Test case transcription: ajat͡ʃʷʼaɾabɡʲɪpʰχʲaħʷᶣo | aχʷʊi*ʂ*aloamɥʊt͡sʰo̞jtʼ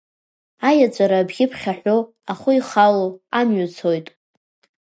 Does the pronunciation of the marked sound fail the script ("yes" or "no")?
yes